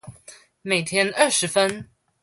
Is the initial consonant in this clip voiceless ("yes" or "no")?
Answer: no